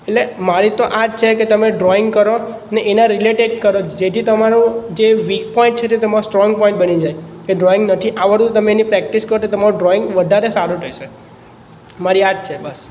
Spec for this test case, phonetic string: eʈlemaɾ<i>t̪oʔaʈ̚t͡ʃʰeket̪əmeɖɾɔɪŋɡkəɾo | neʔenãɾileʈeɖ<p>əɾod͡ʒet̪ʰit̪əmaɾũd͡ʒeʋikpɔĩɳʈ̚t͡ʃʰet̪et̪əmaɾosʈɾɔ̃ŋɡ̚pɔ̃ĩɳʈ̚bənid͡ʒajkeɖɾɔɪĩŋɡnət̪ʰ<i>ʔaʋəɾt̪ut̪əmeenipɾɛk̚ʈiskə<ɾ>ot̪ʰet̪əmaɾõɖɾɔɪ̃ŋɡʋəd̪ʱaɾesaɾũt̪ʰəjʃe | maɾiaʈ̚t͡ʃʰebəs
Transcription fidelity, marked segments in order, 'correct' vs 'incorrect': correct, incorrect, correct, correct

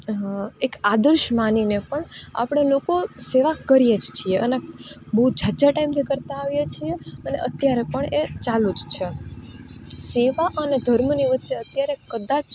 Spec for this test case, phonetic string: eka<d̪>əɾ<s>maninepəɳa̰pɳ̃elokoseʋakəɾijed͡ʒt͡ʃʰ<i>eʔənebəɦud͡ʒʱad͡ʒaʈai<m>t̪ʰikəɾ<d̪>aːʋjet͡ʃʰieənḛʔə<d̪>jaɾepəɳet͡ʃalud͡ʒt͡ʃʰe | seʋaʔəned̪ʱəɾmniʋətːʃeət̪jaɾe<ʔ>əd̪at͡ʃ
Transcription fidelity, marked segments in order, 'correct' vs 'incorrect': correct, incorrect, correct, correct, incorrect, incorrect, incorrect

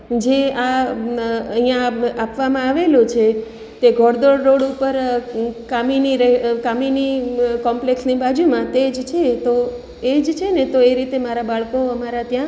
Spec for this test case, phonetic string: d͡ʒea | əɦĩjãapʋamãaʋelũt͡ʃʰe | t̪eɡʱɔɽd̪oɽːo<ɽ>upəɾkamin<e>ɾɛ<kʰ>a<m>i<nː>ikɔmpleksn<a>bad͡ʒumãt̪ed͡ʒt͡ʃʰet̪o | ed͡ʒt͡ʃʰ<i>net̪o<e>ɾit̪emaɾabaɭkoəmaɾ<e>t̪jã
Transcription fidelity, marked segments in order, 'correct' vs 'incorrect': correct, incorrect, incorrect, correct, incorrect, incorrect, incorrect, correct, incorrect

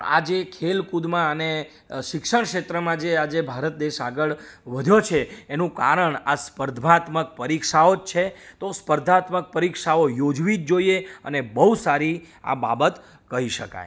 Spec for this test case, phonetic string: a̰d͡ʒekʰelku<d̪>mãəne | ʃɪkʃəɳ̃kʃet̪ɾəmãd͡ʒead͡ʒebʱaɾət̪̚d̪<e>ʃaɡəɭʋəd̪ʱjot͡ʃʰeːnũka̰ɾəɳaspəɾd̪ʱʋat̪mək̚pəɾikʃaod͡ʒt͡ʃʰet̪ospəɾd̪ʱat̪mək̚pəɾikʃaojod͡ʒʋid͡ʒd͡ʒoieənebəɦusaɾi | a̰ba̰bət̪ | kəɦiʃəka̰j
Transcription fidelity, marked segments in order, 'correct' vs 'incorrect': correct, correct

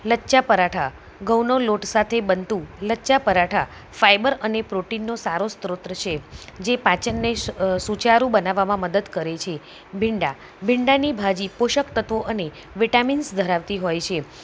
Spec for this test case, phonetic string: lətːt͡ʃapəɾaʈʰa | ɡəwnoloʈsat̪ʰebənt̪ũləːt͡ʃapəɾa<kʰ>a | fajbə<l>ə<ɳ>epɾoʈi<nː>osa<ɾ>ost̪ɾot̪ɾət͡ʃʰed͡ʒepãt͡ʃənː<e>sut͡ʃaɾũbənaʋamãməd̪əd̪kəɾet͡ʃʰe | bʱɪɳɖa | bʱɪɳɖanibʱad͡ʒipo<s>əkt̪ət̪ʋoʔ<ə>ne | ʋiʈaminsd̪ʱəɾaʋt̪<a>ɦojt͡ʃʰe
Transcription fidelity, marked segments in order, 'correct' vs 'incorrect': incorrect, incorrect, incorrect, correct, correct, correct, incorrect, correct, incorrect

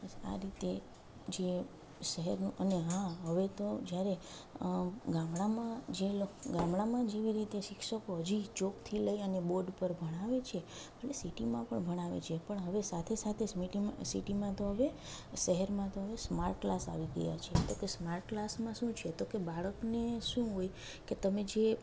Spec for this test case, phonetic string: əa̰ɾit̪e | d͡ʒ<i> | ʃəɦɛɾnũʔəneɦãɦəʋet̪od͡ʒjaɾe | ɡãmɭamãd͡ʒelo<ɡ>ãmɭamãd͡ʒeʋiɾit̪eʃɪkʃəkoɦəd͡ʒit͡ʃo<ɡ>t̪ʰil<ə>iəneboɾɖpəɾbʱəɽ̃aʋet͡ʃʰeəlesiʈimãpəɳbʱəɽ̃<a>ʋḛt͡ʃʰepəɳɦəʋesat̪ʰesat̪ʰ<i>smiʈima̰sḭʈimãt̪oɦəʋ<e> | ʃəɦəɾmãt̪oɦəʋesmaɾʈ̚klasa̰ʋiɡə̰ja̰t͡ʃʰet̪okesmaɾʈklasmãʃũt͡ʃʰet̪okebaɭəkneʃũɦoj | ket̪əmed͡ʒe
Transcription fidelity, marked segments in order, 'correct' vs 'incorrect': incorrect, correct, incorrect, correct, correct, incorrect, correct

